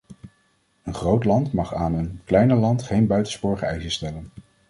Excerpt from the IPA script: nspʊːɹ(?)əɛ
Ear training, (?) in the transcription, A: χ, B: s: A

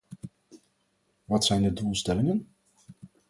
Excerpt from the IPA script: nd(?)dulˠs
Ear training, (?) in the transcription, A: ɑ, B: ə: B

